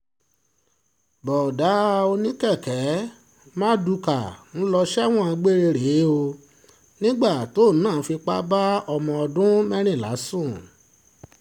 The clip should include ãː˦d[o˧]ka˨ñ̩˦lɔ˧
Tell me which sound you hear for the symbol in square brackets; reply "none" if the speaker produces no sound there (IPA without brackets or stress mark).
u˧